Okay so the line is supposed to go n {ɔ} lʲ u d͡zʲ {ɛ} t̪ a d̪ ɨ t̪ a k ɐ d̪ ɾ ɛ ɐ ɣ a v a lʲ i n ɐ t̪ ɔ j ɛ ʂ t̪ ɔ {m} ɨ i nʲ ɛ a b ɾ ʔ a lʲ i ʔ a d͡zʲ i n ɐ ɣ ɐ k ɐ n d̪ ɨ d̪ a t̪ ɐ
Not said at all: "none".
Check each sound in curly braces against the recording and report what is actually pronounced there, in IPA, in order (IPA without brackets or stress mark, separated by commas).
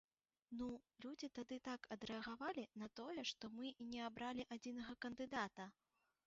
u, i, m